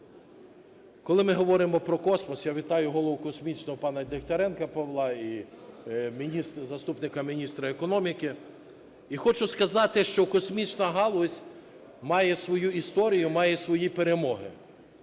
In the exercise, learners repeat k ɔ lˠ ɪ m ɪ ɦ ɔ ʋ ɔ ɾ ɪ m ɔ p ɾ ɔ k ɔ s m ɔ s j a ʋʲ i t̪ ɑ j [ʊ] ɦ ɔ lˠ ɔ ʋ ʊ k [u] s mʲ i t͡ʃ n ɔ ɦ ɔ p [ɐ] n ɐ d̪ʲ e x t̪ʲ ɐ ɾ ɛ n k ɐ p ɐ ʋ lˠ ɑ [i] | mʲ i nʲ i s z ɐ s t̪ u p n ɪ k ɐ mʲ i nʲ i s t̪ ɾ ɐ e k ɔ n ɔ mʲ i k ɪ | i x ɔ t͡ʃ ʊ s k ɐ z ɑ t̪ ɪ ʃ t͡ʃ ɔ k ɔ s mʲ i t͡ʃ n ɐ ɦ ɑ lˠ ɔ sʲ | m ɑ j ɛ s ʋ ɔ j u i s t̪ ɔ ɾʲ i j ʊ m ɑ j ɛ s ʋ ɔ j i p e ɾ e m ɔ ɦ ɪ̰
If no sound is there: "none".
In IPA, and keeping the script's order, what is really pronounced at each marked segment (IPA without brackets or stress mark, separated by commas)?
ʊ, ɔ, ɑ, i